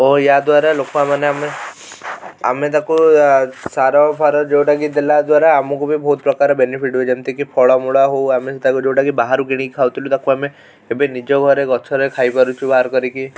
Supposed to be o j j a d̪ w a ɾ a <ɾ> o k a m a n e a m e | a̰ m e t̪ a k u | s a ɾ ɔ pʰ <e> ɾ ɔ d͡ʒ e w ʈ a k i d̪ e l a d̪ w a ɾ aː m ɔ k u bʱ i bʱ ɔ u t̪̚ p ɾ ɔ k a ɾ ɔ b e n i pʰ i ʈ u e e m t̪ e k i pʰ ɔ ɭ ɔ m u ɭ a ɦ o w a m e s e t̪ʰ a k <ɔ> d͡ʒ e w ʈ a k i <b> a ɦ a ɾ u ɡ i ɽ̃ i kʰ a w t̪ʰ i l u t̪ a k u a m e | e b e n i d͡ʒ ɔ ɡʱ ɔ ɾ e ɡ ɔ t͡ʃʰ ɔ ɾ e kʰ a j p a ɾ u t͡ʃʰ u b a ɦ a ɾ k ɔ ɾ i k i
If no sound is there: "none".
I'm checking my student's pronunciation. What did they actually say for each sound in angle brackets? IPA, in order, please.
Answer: l, a, u, b

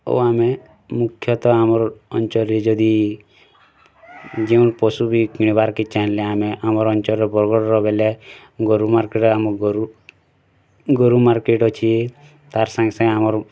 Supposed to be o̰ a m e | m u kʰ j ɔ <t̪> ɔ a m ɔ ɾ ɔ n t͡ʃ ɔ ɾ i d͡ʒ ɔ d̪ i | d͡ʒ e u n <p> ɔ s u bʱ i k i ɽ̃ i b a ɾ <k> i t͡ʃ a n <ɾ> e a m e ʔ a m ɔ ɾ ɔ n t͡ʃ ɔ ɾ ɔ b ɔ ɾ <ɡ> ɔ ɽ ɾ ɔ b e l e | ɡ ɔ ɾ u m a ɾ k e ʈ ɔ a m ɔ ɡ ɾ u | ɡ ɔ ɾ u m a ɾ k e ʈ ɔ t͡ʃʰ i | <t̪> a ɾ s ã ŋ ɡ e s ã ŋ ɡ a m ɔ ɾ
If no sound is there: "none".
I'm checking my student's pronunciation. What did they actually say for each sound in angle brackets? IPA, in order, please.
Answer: t̪, p, k, l, ɡ, t̪

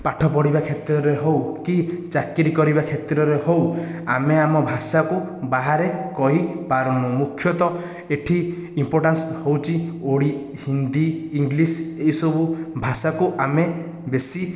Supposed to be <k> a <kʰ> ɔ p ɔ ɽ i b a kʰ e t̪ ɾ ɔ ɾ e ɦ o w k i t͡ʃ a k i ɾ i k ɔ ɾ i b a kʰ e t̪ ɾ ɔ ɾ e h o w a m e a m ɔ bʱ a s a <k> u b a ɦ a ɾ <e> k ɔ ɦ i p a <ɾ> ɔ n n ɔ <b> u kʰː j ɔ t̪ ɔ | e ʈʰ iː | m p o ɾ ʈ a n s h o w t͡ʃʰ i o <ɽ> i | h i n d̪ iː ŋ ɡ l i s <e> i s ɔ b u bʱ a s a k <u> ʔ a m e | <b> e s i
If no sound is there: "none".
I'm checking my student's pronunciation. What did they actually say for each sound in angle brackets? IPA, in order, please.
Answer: p, ʈʰ, k, e, ɾ, m, ɽ, e, u, b

